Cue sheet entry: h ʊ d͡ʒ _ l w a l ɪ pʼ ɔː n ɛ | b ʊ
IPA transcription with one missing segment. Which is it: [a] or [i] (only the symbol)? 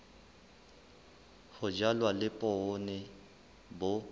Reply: a